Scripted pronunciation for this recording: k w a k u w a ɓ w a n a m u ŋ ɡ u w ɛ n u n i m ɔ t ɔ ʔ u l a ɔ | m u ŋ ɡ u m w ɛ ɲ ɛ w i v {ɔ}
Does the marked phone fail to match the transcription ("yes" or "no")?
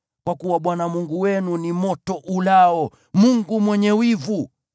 yes